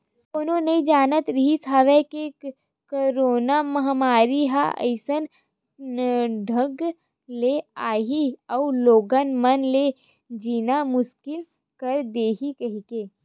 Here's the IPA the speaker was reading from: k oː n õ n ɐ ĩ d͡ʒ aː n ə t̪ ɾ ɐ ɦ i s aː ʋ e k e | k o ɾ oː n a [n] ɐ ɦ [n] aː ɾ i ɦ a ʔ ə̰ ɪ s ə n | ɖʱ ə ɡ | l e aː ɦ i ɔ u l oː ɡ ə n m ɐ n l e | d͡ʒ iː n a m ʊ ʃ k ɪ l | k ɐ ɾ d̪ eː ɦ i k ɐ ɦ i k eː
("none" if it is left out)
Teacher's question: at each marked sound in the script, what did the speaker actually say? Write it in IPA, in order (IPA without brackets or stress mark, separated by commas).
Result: m, m